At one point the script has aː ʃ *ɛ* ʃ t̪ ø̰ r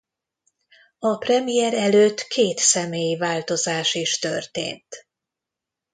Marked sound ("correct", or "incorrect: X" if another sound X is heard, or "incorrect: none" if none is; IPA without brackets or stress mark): incorrect: i